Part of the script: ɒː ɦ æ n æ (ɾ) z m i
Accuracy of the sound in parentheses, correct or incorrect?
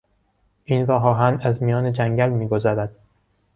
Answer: incorrect: none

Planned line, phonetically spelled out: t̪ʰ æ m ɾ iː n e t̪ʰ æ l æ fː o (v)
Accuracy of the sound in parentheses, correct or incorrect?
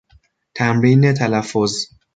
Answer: incorrect: z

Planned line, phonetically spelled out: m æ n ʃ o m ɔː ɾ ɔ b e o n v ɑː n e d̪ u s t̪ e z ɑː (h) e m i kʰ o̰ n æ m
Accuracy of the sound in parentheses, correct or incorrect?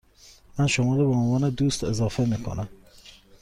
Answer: incorrect: f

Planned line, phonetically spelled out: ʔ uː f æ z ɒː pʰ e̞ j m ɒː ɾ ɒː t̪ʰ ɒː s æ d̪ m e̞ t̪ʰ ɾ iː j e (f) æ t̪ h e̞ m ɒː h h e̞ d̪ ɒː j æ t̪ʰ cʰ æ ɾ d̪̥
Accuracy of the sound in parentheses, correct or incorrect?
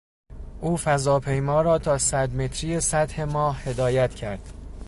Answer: incorrect: s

